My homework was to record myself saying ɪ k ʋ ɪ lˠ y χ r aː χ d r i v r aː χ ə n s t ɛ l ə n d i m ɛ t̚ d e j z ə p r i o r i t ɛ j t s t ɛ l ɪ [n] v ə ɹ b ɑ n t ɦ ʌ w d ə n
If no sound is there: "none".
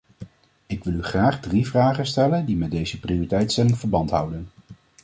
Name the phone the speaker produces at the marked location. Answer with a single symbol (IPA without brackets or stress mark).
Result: ŋ